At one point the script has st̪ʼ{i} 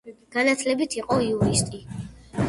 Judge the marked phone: correct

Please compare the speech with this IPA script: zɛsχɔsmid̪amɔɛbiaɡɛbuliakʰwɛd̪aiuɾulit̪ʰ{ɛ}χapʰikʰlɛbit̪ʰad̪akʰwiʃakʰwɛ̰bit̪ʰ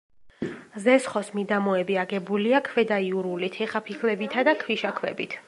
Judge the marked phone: correct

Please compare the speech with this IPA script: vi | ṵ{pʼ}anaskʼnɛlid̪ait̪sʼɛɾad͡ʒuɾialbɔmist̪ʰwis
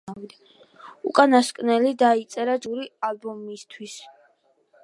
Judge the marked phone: incorrect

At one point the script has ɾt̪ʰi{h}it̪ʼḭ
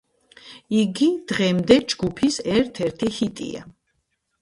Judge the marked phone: correct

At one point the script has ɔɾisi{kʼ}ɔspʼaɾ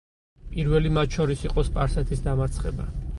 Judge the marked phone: incorrect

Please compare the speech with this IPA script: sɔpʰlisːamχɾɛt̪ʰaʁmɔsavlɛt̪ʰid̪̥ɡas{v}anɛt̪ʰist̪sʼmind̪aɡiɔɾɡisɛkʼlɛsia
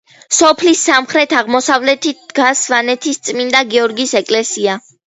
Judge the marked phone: correct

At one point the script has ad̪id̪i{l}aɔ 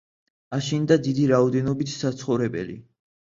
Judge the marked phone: incorrect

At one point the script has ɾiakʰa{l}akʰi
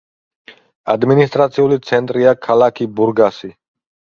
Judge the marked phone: correct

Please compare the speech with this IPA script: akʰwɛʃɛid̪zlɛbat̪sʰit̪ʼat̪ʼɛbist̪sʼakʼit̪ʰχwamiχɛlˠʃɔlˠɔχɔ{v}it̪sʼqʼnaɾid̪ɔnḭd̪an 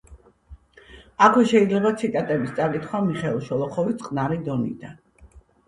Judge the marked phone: correct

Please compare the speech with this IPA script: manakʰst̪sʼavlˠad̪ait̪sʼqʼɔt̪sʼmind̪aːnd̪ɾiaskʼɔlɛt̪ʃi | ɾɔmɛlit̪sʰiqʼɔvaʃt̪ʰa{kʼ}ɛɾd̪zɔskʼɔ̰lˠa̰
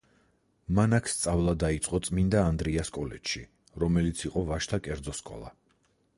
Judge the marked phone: correct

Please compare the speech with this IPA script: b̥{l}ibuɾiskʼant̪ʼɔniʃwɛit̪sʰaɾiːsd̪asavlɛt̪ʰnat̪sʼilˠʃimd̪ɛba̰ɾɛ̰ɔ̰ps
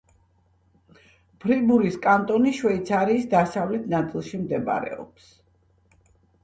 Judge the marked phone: incorrect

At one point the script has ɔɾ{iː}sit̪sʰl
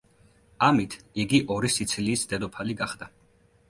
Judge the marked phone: incorrect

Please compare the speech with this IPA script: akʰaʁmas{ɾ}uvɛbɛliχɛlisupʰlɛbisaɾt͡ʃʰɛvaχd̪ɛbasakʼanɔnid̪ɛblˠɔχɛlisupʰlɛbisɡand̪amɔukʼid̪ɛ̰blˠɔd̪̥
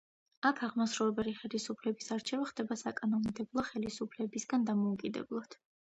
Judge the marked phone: correct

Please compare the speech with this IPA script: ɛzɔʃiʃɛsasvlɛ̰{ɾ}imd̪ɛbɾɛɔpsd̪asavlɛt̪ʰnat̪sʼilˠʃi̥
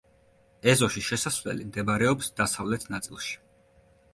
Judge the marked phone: incorrect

